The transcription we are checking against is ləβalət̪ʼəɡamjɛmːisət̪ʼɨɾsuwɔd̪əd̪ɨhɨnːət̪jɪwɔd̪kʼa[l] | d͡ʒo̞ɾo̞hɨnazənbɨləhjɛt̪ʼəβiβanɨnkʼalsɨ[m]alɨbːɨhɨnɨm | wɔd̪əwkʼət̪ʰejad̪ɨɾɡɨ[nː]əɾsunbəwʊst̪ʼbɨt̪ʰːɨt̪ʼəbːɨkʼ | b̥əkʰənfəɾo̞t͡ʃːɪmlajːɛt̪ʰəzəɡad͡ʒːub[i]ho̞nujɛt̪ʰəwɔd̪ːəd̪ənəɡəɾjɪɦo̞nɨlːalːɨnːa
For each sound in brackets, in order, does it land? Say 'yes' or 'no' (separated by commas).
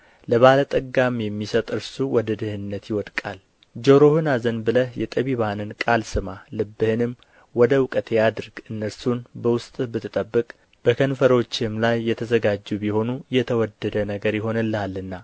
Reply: yes, yes, yes, yes